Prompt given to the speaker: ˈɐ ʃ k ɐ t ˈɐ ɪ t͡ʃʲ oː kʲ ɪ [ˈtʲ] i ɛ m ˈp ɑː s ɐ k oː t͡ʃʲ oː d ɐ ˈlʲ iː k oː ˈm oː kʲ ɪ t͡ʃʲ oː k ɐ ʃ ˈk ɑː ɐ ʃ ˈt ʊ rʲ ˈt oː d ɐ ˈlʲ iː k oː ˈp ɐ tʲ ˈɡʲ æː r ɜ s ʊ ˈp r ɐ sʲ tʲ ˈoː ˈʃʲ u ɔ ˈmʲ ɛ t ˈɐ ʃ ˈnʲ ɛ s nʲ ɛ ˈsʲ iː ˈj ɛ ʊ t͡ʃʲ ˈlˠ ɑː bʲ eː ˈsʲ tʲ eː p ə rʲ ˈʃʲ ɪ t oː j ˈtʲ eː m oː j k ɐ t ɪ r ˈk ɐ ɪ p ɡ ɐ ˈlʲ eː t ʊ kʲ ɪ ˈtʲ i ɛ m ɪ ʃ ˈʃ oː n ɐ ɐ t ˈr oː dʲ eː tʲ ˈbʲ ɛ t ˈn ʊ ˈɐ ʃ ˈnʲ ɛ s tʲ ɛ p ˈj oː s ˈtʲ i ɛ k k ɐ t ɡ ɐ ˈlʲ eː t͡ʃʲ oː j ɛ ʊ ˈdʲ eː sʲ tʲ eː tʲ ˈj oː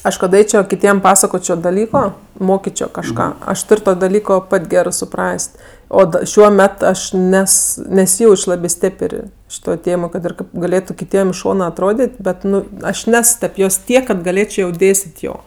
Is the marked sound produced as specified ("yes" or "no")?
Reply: yes